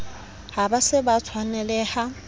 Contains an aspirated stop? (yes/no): yes